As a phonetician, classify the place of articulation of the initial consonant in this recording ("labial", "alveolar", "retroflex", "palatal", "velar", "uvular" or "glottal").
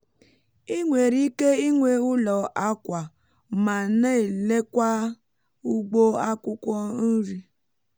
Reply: velar